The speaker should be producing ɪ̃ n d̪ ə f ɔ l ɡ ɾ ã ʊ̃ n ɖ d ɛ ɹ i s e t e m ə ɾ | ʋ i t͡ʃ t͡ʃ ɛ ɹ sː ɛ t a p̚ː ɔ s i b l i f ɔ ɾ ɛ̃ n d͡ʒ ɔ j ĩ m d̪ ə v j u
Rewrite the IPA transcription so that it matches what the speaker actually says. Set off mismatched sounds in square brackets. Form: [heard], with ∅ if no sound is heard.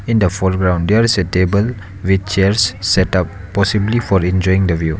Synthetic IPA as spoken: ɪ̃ n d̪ ə f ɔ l ɡ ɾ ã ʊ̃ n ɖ d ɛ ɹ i s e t e [b] ə [l] | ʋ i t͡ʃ t͡ʃ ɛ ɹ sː ɛ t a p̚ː ɔ s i b l i f ɔ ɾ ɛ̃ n d͡ʒ ɔ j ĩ [ŋ] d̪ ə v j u